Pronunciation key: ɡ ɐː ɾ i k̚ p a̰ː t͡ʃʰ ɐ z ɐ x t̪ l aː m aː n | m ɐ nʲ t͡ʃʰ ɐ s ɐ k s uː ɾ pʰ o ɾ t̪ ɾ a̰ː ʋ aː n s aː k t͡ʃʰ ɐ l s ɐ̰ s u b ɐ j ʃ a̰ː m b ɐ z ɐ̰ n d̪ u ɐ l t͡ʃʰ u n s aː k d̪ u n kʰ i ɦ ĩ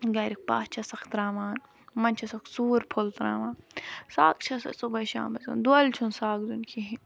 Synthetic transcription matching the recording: ɡ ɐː ɾ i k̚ p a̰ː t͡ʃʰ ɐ s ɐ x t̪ ɾ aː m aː n | m ɐ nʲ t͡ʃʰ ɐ s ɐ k s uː ɾ pʰ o l t̪ ɾ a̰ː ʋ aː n s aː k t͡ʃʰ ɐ s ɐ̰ s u b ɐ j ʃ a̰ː m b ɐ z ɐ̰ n d̪ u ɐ l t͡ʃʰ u n s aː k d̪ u n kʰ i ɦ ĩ